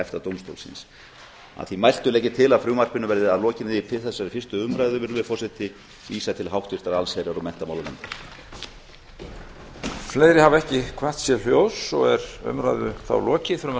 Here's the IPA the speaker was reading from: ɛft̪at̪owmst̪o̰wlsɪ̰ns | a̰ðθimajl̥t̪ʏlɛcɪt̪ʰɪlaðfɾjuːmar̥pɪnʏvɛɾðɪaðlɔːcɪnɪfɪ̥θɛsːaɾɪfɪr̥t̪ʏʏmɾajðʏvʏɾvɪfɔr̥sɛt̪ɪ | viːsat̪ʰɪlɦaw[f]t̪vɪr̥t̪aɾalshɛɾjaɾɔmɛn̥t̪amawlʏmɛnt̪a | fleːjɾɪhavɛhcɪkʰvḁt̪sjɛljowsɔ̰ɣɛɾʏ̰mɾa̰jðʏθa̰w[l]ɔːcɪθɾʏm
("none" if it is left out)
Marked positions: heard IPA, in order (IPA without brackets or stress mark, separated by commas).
h, l